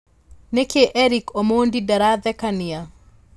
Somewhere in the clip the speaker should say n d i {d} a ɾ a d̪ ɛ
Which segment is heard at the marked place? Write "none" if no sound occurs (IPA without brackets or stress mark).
d